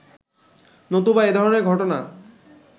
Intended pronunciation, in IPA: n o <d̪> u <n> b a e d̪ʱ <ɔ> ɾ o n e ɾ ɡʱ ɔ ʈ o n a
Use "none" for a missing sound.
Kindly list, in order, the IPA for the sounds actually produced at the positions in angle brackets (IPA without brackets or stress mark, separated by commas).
t̪, none, ɔ